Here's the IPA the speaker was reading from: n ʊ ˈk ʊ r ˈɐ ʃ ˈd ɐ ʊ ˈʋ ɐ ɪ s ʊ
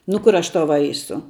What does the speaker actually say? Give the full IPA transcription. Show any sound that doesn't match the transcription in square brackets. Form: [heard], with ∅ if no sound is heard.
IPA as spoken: n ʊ ˈk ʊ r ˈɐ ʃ [ˈt] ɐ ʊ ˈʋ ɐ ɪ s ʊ